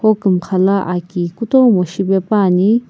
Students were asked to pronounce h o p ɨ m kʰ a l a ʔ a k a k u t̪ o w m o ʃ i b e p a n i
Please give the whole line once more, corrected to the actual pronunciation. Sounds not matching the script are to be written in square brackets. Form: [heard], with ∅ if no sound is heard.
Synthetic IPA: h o [k] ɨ m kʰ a l a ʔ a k [i] k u t̪ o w m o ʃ i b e p a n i